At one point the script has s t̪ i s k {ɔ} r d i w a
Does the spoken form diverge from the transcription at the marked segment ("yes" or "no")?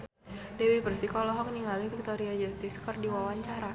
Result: no